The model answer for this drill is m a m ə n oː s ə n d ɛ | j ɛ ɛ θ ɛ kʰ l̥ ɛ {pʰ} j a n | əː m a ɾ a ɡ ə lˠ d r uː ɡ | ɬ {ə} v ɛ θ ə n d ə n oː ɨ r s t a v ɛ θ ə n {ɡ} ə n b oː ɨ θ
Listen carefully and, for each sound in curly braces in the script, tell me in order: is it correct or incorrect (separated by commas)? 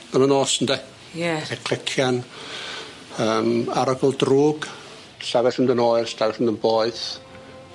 incorrect, incorrect, incorrect